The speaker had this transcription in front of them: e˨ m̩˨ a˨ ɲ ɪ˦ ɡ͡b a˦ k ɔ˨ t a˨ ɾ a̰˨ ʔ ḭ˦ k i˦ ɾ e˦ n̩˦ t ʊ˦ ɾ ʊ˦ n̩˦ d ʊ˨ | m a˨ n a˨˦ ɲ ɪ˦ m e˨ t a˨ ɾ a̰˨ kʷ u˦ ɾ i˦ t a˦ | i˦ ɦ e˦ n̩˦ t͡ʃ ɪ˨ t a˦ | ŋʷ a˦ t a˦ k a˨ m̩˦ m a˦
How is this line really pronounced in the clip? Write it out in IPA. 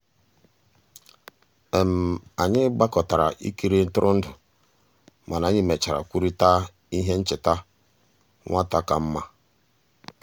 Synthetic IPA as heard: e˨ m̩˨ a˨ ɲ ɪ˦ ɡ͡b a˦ k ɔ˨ t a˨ ɾ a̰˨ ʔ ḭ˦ k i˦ ɾ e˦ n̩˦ t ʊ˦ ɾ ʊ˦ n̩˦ d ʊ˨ | m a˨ n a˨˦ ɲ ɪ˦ m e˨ t͡ʃ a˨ ɾ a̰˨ kʷ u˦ ɾ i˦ t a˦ | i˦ ɦ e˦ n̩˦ t͡ʃ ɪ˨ t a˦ | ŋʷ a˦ t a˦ k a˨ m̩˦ m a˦